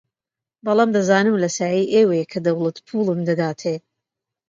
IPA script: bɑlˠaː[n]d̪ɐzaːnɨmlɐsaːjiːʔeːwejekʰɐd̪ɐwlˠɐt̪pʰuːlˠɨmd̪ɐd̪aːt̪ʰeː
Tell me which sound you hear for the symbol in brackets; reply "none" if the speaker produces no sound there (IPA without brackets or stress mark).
m